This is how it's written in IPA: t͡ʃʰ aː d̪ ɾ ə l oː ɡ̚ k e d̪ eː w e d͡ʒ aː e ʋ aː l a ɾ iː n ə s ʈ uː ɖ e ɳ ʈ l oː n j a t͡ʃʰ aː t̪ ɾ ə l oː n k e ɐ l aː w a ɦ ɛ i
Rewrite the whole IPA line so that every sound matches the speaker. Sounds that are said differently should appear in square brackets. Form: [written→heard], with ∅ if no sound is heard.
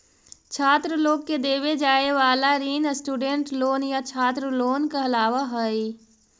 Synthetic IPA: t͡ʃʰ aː [d̪→t̪] ɾ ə l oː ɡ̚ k e d̪ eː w e d͡ʒ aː e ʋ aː l a ɾ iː n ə s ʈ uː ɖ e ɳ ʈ l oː n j a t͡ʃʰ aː t̪ ɾ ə l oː n k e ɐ l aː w a ɦ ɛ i